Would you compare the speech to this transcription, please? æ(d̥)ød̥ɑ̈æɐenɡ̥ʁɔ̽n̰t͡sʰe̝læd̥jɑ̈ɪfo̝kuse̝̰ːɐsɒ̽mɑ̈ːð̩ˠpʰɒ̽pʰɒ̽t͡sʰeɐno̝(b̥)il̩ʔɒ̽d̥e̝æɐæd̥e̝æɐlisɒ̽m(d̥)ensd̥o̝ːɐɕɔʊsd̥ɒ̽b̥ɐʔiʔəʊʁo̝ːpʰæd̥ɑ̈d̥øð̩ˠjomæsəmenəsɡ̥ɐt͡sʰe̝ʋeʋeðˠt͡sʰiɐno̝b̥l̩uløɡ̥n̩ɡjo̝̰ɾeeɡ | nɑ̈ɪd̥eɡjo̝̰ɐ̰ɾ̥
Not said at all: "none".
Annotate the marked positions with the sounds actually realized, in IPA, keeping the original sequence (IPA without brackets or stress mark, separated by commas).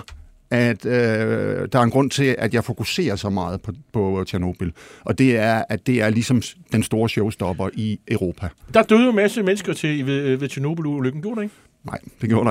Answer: d̥, b̥, d̥